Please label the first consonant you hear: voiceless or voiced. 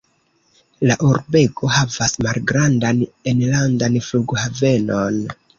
voiced